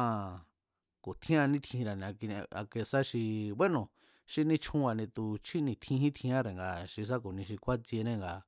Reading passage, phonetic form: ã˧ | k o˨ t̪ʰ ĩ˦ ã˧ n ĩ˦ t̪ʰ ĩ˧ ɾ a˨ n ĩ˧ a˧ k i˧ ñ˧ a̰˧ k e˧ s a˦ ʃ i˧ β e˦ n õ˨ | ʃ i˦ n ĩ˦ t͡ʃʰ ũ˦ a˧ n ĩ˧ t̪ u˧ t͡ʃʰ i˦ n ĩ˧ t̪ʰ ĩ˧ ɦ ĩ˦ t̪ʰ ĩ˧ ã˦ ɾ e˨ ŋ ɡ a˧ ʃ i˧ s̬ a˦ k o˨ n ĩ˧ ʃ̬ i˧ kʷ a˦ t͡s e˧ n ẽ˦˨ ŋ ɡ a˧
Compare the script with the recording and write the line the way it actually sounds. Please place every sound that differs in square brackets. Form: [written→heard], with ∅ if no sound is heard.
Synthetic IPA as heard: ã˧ | k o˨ t̪ʰ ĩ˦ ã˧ n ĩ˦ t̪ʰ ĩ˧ ɾ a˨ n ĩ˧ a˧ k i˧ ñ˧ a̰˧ k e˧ s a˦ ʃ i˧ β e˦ n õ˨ | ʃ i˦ n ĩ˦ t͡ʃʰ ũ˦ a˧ n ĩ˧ t̪ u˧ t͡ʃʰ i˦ n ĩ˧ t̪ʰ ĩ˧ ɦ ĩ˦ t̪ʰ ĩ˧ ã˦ ɾ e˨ ŋ ɡ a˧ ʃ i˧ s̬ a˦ k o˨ n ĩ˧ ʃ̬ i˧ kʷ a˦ t͡s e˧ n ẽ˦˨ ŋ ɡ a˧